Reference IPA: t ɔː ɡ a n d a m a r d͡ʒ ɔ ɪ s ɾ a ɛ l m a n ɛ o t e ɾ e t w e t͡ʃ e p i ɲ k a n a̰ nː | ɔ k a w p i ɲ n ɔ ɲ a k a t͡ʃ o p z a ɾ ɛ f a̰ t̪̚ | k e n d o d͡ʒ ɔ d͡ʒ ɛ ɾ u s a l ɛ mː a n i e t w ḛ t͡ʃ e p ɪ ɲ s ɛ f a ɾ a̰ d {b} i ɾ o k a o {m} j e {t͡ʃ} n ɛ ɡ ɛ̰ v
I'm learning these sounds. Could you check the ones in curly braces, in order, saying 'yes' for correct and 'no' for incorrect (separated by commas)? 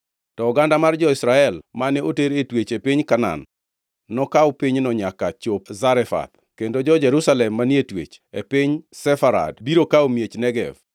yes, yes, yes